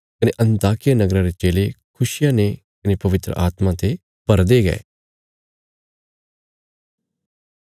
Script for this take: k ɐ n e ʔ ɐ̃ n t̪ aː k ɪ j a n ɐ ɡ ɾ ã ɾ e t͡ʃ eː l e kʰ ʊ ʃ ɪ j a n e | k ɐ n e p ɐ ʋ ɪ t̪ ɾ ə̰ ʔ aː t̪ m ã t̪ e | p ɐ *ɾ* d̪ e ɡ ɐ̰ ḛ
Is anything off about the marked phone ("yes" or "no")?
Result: no